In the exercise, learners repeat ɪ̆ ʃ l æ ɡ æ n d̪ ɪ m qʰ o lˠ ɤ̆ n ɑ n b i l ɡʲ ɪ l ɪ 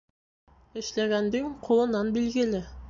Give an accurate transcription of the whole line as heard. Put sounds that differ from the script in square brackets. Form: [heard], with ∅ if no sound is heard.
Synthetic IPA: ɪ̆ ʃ l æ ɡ æ n d̪ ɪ [ŋ] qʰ o lˠ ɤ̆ n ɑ n b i l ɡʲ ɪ l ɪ